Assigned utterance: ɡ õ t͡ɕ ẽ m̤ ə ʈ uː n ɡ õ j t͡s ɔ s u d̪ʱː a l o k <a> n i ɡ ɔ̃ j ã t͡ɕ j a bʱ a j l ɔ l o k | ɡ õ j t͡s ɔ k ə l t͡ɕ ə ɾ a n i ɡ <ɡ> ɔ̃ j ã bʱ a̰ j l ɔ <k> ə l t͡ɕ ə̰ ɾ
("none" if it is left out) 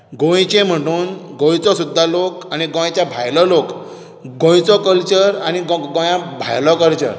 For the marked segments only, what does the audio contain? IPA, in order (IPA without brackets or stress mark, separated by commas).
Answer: a, ɡ, k